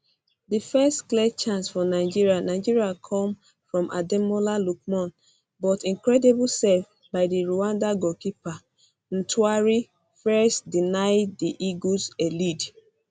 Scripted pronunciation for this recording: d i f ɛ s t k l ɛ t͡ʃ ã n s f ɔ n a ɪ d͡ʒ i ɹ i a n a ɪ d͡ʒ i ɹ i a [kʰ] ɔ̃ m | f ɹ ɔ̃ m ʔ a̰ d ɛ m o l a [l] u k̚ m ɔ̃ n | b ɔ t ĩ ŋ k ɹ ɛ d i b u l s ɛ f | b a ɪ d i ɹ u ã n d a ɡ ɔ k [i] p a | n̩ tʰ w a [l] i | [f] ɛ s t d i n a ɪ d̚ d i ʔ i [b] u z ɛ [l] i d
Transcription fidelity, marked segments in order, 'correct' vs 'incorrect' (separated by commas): correct, correct, correct, incorrect, correct, incorrect, correct